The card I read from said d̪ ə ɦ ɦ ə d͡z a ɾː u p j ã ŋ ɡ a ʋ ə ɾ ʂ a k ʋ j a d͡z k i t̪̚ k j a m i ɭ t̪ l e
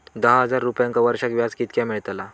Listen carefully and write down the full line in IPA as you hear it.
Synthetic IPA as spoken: d̪ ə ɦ ɦ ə d͡z a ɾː u p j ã ŋ k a ʋ ə ɾ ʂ a k ʋ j a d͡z k i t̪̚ k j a m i ɭ t̪ l a